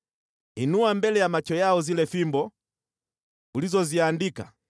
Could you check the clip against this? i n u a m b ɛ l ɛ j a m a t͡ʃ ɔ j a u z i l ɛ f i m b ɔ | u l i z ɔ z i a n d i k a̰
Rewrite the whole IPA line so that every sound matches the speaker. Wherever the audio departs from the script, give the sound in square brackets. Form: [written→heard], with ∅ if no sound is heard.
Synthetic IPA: i n u a m b ɛ l ɛ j a m a t͡ʃ ɔ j a [u→ɔ] z i l ɛ f i m b ɔ | u l i z ɔ z i a n d i k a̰